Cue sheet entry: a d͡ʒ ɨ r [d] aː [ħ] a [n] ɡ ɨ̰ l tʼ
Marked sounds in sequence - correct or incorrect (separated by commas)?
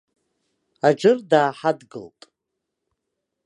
correct, correct, incorrect